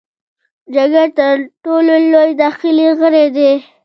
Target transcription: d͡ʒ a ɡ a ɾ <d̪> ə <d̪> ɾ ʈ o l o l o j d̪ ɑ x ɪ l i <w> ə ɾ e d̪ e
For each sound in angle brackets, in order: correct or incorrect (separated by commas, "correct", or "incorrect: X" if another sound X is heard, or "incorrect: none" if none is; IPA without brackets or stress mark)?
incorrect: t̪, incorrect: none, incorrect: ɣ